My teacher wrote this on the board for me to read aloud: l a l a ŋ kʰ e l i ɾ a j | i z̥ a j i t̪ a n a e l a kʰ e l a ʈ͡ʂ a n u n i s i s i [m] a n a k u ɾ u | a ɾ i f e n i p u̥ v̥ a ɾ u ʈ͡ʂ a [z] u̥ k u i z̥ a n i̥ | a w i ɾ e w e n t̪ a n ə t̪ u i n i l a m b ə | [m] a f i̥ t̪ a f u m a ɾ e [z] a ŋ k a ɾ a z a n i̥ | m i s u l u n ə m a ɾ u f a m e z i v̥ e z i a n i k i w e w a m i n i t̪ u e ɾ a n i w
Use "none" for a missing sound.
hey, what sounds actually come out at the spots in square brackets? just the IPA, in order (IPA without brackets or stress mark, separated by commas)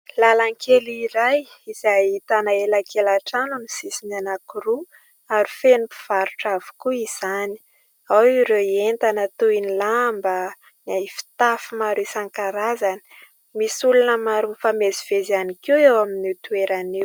n, v, n, s